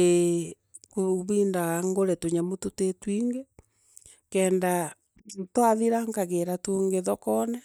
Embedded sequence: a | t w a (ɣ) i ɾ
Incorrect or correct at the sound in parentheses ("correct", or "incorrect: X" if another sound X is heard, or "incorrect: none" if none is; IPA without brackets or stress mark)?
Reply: incorrect: ð